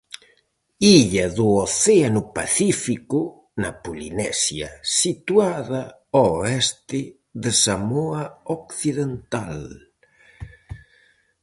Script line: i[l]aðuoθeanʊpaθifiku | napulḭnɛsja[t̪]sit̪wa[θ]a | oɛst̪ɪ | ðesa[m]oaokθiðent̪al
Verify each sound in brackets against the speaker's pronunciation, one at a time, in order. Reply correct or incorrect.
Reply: incorrect, incorrect, incorrect, correct

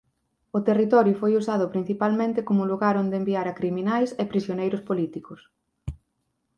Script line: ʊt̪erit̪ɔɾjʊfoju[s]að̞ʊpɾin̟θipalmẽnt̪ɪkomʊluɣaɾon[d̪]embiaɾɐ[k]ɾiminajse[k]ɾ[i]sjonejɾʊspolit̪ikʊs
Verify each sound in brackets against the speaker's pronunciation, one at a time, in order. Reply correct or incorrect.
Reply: correct, correct, correct, incorrect, correct

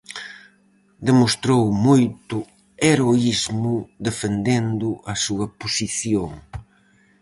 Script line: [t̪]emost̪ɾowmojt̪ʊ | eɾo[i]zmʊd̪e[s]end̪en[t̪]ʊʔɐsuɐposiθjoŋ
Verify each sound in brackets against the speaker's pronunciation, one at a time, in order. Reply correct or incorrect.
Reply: incorrect, correct, incorrect, incorrect

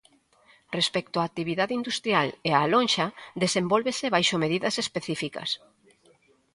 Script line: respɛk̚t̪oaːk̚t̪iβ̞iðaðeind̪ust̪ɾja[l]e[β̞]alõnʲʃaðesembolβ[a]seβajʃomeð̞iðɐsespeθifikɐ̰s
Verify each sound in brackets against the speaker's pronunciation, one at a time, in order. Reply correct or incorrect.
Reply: correct, incorrect, incorrect

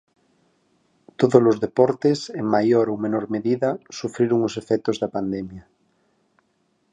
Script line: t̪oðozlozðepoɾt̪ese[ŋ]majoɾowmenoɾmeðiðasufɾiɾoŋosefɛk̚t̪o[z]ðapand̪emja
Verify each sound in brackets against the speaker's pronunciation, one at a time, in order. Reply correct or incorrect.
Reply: correct, correct

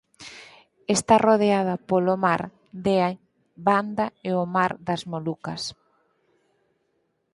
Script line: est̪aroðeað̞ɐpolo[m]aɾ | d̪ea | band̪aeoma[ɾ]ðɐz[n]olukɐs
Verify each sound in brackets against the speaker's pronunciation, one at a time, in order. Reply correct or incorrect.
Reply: correct, correct, incorrect

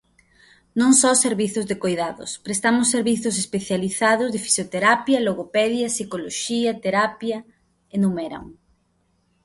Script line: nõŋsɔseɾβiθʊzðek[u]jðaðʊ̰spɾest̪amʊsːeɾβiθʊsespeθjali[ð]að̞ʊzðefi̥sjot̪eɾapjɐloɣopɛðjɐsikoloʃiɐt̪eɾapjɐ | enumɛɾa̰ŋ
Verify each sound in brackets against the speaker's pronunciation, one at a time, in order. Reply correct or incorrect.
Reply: incorrect, incorrect

